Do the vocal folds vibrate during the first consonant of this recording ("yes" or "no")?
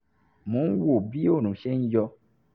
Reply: yes